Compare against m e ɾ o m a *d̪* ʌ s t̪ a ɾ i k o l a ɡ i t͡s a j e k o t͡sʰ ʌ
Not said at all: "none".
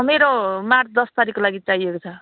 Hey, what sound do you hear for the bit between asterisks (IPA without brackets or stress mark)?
d̪